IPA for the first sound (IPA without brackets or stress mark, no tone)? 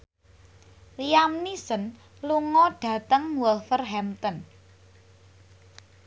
l